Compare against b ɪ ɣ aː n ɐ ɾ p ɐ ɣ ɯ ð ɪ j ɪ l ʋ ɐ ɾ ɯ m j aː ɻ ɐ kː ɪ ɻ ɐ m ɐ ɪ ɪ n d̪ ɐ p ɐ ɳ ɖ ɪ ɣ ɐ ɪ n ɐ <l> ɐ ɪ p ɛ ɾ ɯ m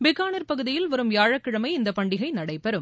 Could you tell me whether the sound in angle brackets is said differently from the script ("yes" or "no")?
yes